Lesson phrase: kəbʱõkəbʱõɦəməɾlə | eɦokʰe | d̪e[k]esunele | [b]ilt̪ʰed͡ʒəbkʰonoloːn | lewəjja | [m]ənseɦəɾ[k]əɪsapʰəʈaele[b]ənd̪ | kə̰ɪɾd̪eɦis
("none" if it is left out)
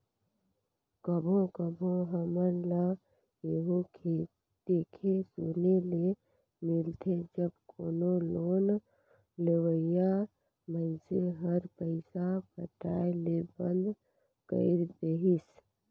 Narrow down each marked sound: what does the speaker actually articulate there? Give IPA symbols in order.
kʰ, m, m, p, b

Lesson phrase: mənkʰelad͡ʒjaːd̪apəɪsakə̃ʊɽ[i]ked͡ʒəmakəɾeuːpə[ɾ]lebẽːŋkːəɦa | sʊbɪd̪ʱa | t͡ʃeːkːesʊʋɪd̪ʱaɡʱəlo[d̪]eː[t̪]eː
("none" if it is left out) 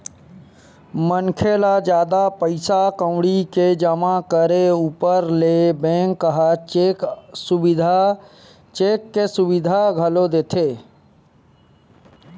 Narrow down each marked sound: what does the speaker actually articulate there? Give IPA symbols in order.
i, ɾ, d̪, t̪ʰ

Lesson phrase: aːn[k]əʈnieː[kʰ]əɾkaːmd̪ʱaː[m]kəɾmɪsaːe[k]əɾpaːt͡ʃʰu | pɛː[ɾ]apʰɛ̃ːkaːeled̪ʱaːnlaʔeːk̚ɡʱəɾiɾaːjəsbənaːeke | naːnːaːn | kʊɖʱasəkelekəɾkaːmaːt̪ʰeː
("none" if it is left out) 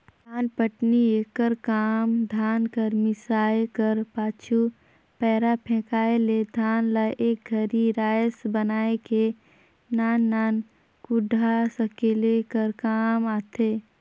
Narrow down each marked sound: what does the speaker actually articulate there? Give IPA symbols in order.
p, k, n, k, ɾ

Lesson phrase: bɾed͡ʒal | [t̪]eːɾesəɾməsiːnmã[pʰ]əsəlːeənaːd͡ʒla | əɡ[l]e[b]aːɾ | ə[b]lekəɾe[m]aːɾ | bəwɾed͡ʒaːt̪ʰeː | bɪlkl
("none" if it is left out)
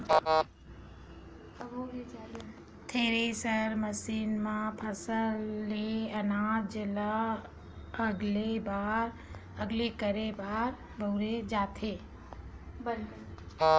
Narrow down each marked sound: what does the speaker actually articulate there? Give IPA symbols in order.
t̪ʰ, pʰ, l, b, ɡ, b

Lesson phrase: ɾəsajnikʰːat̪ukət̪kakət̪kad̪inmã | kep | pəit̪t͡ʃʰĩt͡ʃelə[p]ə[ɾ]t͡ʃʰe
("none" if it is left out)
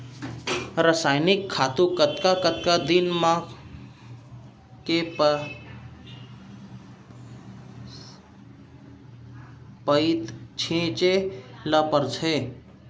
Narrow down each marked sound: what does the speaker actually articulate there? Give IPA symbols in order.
p, ɾ

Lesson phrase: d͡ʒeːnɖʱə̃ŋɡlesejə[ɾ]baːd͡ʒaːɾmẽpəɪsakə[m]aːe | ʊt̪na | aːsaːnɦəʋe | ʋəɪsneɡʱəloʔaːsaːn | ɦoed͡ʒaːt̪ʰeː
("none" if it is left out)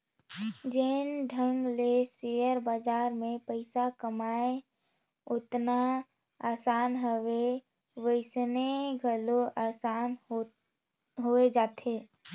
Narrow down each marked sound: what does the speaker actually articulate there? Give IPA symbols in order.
ɾ, m

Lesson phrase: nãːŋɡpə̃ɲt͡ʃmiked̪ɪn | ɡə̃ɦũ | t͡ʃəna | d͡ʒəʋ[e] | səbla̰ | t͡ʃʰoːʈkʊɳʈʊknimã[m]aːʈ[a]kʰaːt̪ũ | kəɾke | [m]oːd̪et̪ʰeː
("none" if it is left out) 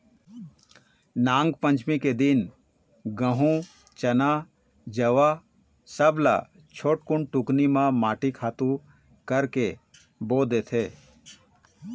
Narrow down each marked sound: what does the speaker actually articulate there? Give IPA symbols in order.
a, m, i, b

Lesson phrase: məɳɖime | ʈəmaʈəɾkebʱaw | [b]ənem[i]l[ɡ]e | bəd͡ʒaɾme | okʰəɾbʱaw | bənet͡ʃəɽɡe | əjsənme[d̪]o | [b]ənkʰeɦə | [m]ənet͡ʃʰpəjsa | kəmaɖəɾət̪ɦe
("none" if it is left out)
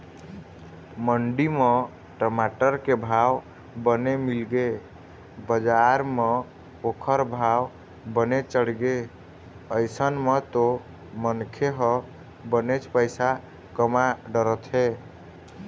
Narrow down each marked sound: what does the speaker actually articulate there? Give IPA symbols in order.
b, i, ɡ, t̪, m, b

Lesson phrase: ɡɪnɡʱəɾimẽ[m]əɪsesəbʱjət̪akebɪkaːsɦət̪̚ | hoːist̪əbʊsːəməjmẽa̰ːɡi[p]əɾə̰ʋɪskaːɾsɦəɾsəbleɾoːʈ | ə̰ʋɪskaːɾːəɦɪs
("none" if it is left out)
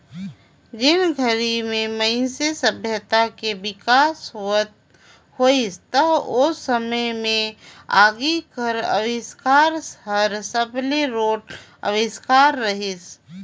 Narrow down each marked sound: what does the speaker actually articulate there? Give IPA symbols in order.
m, k

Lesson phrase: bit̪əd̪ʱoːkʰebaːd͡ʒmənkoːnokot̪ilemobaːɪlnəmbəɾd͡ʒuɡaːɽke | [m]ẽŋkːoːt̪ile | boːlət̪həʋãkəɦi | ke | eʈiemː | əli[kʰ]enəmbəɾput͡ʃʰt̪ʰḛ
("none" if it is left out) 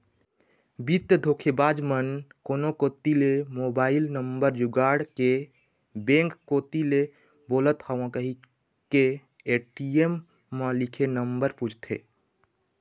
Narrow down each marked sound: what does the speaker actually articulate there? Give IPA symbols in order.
b, kʰ

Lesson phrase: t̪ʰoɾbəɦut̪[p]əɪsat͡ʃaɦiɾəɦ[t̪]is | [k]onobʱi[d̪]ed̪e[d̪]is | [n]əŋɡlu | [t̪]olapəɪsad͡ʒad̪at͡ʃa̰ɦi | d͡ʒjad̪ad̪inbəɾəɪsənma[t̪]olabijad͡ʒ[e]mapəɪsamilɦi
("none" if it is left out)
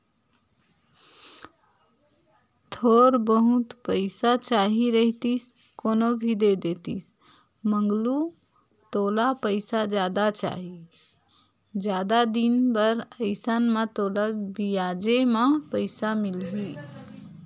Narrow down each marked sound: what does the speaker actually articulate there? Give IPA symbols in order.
p, t̪, k, d̪, t̪, m, t̪, t̪, e

